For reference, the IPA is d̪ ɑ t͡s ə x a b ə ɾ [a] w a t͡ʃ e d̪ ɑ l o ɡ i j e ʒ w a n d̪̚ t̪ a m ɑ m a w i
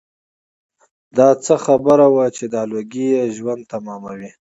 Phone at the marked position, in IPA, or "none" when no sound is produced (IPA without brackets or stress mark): a